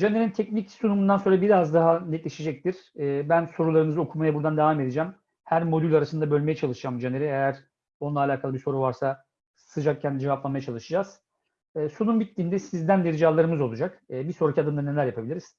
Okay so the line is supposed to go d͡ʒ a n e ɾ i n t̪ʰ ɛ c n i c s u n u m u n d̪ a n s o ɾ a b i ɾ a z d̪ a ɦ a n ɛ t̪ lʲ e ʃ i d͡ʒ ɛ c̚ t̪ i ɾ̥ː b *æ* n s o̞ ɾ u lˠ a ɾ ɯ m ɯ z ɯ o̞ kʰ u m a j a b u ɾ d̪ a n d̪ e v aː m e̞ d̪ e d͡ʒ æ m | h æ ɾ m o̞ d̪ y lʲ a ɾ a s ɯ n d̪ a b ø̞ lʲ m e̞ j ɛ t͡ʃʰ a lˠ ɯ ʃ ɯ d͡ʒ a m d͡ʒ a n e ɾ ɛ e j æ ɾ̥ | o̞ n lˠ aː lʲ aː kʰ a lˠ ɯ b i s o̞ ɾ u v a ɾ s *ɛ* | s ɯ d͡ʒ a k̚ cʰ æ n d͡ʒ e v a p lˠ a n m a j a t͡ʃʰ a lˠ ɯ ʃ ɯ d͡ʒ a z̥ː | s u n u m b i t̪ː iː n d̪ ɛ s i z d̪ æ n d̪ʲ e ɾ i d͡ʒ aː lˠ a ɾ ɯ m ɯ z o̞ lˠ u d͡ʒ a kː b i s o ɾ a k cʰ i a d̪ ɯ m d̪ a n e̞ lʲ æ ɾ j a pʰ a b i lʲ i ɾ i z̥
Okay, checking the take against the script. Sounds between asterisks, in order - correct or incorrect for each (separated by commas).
correct, incorrect